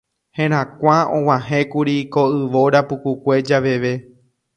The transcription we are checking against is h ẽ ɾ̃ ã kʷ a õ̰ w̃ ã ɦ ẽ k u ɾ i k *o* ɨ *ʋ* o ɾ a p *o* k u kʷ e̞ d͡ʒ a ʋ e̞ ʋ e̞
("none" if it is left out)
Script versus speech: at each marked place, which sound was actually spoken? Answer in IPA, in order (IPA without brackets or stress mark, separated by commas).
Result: o, ʋ, u